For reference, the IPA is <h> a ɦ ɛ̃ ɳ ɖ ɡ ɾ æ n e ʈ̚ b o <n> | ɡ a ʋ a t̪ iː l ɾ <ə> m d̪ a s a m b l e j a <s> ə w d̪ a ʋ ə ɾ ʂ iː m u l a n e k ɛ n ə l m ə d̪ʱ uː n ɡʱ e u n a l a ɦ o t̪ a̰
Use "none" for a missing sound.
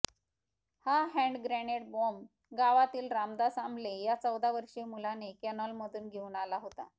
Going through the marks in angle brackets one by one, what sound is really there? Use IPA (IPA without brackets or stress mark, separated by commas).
h, m, a, t͡s